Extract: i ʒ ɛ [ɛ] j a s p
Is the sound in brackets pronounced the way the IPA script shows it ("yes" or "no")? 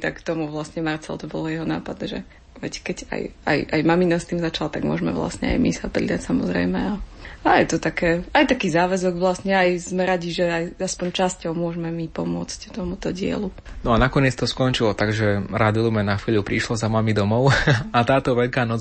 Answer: no